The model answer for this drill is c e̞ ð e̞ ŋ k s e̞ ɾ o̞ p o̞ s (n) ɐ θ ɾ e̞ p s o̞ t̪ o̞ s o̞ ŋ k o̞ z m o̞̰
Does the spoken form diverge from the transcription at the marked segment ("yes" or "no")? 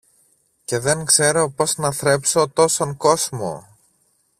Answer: no